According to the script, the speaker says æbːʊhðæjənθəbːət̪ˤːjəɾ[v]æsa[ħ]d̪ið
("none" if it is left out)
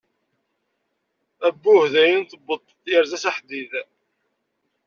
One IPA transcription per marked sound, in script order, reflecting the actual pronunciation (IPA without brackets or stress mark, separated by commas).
z, ħ